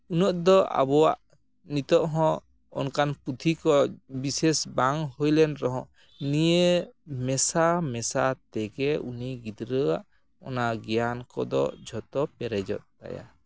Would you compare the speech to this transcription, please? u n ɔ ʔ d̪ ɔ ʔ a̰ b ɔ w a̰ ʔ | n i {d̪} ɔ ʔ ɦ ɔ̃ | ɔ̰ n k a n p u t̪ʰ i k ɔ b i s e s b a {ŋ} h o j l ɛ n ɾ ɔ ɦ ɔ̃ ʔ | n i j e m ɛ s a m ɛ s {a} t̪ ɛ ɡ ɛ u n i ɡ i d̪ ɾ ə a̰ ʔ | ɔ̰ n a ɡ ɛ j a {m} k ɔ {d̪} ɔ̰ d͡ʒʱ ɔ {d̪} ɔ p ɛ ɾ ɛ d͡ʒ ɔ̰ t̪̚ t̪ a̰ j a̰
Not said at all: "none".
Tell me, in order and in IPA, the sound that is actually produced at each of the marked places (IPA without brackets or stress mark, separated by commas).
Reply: t̪, ŋ, a, n, d̪, t̪